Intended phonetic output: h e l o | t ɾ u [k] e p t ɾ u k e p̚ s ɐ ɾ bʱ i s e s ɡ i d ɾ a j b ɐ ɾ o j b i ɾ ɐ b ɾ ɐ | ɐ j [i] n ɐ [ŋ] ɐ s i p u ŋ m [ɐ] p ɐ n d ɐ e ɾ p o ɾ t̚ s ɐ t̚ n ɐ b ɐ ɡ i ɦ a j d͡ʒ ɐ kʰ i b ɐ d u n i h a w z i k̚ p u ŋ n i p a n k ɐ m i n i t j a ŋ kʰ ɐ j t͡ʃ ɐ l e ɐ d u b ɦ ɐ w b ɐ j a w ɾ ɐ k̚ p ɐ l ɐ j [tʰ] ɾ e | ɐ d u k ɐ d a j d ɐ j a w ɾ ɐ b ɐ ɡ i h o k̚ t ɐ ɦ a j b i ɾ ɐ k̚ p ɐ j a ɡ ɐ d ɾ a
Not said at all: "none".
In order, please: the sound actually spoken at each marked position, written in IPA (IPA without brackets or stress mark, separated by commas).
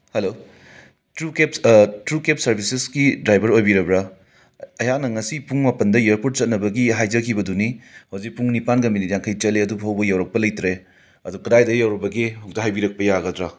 k, a, ŋ, a, t